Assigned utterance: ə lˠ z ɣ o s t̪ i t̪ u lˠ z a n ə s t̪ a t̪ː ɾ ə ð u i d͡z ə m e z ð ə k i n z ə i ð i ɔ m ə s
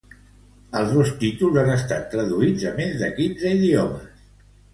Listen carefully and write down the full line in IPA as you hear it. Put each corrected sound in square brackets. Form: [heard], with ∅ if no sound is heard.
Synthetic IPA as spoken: ə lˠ z [ð] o s t̪ i t̪ u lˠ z a n ə s t̪ a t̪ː ɾ ə ð u i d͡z ə m e z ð ə k i n z ə i ð i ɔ m ə s